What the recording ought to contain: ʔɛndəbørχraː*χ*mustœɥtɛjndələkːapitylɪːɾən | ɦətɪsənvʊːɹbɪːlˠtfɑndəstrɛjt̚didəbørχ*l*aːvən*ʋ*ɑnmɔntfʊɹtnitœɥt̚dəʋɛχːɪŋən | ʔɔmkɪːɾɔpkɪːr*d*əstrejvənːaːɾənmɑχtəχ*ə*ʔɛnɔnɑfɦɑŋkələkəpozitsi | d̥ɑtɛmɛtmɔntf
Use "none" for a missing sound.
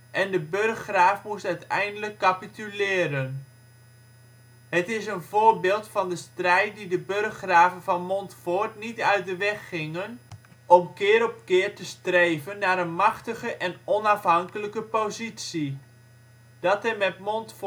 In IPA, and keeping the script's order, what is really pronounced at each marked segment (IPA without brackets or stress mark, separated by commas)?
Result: f, r, v, t, ə